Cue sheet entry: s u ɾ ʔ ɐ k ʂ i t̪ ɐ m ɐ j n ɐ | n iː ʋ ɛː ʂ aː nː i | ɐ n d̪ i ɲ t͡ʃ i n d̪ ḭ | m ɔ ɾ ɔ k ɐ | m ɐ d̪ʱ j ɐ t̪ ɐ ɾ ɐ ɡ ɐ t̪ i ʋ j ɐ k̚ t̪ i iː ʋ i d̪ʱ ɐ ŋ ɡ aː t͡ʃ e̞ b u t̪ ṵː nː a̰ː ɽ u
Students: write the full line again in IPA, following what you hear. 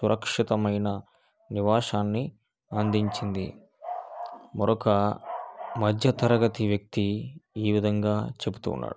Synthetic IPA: s u ɾ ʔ ɐ k ʂ i t̪ ɐ m ɐ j n ɐ | n i ʋ aː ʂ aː nː i | ɐ n d̪ i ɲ t͡ʃ i n d̪ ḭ | m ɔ ɾ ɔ k ɐ | m ɐ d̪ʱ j ɐ t̪ ɐ ɾ ɐ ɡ ɐ t̪ i ʋ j ɐ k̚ t̪ i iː ʋ i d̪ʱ ɐ ŋ ɡ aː t͡ʃ e̞ b u t̪ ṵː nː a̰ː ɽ u